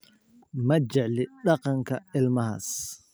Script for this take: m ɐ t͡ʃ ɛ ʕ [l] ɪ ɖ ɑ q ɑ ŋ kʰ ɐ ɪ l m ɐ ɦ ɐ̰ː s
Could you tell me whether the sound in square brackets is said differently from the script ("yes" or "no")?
no